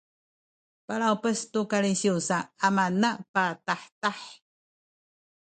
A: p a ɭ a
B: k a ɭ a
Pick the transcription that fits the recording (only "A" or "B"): A